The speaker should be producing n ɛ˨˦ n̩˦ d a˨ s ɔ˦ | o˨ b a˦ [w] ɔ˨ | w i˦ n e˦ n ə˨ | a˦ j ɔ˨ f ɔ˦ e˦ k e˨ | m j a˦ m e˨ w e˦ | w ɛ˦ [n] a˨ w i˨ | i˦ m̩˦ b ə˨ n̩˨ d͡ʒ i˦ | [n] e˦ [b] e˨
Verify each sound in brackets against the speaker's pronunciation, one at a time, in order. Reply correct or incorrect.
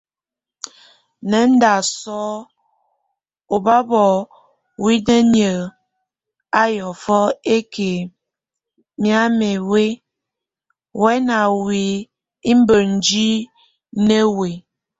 incorrect: b, correct, correct, incorrect: w

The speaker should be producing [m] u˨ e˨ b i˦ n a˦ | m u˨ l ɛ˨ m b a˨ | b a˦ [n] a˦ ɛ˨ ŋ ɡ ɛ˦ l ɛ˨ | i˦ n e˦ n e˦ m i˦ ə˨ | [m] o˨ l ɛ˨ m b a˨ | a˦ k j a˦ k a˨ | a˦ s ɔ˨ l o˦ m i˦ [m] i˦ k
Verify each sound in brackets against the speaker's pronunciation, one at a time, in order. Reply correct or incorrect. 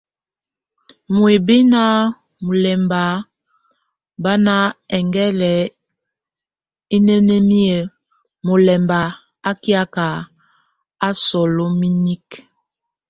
correct, correct, correct, incorrect: n

